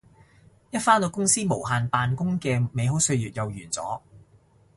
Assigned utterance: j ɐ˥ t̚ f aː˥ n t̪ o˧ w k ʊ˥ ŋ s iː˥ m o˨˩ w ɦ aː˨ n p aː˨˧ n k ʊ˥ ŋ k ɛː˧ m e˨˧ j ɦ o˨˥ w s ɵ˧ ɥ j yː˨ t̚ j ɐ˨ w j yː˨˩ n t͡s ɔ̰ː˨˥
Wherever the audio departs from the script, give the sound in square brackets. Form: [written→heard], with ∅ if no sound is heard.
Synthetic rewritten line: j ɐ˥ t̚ f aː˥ n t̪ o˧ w k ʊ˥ ŋ s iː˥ m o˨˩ w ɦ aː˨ n p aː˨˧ n k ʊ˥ ŋ k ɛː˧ m e˨˧ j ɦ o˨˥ w s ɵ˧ ɥ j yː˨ t̚ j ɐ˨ w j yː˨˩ n t͡s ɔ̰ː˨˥